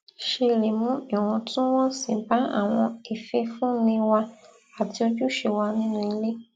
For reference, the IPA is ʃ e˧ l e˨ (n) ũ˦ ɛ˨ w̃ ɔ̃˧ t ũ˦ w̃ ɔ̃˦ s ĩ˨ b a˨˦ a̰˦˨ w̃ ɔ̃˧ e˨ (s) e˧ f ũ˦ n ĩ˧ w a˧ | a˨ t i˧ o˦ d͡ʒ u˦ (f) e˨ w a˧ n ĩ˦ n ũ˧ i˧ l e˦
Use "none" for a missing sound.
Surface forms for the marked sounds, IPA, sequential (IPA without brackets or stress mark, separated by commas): m, f, ʃ